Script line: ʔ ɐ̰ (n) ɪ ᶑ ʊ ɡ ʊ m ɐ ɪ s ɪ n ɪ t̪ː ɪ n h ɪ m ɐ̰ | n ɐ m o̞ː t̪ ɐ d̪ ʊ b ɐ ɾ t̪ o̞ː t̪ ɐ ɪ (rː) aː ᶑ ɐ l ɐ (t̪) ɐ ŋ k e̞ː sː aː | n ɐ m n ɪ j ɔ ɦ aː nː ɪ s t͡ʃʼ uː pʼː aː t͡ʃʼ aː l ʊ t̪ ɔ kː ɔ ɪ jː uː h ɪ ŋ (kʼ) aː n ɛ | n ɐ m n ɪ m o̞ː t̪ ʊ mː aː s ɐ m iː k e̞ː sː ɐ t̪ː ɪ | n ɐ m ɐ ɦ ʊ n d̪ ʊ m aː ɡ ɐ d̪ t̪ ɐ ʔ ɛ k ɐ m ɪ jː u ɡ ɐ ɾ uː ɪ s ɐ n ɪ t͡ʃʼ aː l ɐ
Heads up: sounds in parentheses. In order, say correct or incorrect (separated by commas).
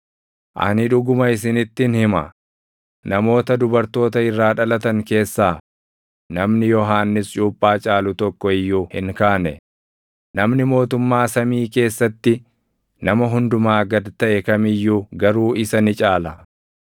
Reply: correct, correct, correct, incorrect